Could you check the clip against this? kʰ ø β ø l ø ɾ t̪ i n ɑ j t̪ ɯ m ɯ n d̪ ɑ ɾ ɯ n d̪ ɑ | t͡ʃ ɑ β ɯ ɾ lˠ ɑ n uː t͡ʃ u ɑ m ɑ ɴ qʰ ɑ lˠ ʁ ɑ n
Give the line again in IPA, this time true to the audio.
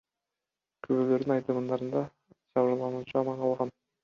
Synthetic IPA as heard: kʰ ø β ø l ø ɾ d̪ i n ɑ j t̪ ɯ m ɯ n d̪ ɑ ɾ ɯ n d̪ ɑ | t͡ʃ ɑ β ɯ ɾ lˠ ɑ n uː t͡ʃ u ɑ m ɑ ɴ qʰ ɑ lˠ ʁ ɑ n